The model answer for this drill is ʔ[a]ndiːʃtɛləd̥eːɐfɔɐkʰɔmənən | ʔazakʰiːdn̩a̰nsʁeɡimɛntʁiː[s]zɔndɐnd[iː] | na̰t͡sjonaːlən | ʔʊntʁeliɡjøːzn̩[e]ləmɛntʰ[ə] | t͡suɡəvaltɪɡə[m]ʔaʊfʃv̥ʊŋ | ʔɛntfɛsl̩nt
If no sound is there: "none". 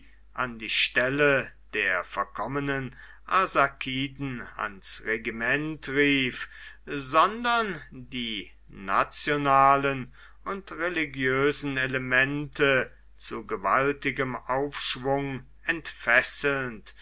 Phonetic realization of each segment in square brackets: a, f, iː, e, ə, m

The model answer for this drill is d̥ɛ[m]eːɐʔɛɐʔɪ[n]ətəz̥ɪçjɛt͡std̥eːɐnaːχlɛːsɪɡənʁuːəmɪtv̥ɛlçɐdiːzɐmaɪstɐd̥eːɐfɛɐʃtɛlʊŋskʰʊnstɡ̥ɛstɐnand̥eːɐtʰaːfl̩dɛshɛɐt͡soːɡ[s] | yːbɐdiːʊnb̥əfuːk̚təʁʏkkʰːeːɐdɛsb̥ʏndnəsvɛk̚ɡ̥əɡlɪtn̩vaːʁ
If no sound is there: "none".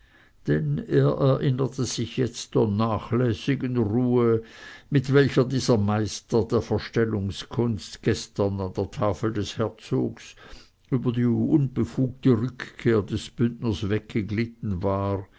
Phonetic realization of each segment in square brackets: n, n, s

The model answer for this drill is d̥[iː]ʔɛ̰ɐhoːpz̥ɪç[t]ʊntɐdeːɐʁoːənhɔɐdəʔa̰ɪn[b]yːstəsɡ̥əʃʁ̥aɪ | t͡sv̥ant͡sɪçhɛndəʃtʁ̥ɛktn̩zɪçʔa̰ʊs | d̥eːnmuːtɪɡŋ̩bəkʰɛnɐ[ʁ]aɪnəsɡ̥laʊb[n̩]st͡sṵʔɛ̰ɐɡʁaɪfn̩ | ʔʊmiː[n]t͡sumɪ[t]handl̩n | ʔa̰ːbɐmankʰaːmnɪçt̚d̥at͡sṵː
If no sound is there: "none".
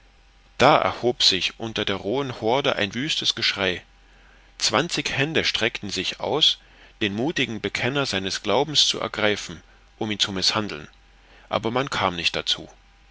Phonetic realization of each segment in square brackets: aː, ʔ, v, z, m̩, n, s

